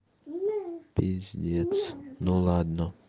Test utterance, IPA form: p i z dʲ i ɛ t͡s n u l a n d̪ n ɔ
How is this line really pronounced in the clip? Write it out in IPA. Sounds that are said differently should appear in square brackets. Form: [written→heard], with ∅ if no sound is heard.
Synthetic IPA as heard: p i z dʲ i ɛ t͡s n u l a [n→∅] d̪ n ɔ